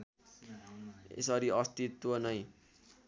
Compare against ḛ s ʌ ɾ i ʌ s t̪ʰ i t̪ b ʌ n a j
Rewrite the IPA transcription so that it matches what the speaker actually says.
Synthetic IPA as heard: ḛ s ʌ ɾ i ʌ s t̪ i t̪ w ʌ n ʌ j